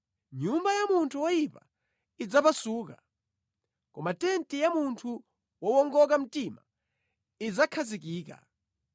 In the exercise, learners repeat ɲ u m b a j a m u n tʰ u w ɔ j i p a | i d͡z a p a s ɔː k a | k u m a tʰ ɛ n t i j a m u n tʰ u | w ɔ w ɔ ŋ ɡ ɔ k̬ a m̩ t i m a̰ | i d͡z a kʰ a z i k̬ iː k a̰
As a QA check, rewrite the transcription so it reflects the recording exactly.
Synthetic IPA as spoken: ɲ u m b a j a m u n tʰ u w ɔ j i p a | i d͡z a p a s uː k a | k ɔ m a t ɛ n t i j a m u n tʰ u | w ɔ w ɔ ŋ ɡ ɔ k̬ a m̩ t i m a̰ | i d͡z a kʰ a z i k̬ iː k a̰